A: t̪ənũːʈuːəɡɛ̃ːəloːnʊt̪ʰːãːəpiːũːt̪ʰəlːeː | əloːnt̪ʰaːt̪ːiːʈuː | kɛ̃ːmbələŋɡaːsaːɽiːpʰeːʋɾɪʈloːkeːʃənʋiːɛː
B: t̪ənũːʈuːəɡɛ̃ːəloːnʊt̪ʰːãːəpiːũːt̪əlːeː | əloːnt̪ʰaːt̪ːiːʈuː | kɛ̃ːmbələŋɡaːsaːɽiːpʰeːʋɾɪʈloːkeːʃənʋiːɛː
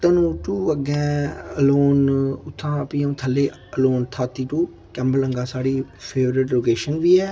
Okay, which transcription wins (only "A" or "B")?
A